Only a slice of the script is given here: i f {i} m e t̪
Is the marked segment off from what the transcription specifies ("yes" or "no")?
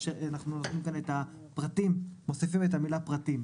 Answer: no